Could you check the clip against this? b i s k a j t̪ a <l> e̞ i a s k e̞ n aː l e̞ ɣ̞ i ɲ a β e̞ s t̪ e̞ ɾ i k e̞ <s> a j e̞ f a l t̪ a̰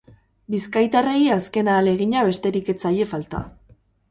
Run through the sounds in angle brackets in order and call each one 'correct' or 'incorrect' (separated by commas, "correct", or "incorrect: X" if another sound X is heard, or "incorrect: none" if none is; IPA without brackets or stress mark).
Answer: incorrect: r, incorrect: t͡s